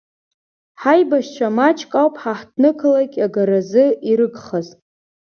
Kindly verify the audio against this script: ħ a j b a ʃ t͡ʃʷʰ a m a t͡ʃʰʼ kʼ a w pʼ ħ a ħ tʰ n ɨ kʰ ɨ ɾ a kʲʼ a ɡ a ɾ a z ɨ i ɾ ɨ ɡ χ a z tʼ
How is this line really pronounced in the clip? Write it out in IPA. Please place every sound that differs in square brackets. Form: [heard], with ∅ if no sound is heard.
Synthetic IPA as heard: ħ a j b a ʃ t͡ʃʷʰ a m a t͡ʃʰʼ kʼ a w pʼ ħ a ħ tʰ n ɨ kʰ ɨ [l] a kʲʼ a ɡ a ɾ a z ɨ i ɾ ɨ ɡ χ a z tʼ